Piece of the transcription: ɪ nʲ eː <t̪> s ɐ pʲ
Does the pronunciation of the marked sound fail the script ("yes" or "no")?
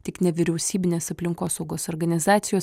yes